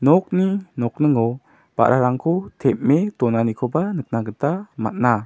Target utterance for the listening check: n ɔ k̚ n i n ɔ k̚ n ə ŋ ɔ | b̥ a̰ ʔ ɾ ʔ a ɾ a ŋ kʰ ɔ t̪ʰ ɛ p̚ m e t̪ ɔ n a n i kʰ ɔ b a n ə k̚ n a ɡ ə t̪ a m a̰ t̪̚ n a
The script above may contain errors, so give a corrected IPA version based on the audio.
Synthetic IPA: n ɔ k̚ n i n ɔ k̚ n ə ŋ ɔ | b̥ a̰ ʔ ɾ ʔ a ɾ a ŋ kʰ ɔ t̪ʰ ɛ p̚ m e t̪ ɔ n a n i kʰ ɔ b a n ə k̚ n a ɡ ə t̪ a m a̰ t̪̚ n a